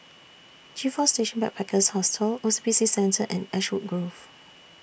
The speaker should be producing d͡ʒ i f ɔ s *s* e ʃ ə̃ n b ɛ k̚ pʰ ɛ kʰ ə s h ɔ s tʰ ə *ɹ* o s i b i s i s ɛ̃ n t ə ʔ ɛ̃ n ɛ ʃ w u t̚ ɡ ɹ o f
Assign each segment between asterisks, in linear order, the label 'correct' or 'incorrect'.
incorrect: t, incorrect: l

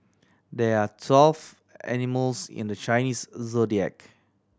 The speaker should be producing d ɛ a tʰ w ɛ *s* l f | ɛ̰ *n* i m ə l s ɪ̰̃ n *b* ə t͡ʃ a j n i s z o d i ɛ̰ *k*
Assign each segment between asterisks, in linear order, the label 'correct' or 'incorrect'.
incorrect: none, correct, incorrect: d, correct

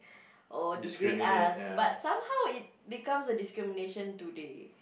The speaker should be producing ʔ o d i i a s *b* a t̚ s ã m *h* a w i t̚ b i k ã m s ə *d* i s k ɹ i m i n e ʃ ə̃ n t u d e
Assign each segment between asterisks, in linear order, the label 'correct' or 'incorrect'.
correct, correct, correct

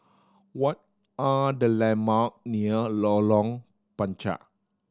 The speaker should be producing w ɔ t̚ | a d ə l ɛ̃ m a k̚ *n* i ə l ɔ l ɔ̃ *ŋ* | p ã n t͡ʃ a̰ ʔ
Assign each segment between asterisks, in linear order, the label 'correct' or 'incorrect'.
correct, correct

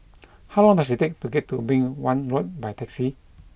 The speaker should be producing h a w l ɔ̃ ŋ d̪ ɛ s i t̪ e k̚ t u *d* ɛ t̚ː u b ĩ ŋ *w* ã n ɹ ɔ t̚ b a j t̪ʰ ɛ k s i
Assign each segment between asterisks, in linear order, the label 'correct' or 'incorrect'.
incorrect: ɡ, correct

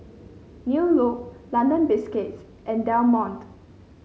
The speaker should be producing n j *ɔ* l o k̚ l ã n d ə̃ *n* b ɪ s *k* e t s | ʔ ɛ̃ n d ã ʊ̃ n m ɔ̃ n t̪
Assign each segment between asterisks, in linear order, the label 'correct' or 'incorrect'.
incorrect: u, correct, correct

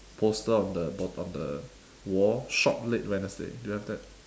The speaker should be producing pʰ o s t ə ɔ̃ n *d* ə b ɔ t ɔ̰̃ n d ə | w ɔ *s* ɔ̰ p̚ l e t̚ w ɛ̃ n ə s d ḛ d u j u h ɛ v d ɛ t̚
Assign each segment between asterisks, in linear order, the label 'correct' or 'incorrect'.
correct, incorrect: ʃ

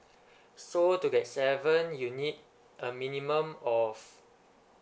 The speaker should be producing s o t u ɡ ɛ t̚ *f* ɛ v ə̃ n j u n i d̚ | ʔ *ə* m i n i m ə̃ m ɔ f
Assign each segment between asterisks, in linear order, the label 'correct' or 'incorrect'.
incorrect: s, correct

